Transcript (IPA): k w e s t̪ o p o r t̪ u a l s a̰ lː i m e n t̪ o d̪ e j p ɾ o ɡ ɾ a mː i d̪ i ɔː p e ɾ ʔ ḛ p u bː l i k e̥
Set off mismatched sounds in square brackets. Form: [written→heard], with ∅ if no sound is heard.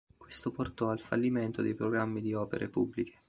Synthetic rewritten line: k w e s t̪ o p o r t̪ [u→ɔ] a l [s→f] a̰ lː i m e n t̪ o d̪ e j p ɾ o ɡ ɾ a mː i d̪ i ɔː p e ɾ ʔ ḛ p u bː l i k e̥